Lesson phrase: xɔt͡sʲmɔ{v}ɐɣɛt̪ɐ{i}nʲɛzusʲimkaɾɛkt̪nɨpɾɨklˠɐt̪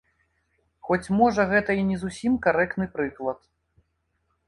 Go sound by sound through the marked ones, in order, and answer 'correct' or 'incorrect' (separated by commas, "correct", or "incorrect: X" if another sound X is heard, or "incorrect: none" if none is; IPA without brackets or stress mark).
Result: incorrect: ʐ, correct